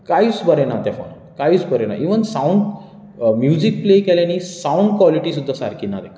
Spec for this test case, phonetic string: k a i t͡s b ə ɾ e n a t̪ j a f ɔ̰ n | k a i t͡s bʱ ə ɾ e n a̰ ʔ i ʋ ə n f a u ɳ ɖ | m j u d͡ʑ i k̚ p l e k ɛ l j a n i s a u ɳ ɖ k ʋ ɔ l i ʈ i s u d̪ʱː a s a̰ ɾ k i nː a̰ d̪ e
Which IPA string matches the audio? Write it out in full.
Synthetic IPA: k a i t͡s b ə ɾ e n a t̪ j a f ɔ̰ n | k a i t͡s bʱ ə ɾ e n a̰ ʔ i ʋ ə n s a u ɳ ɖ | m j u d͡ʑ i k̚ p l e k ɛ l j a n i s a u ɳ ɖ k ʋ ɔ l i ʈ i s u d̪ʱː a s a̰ ɾ k i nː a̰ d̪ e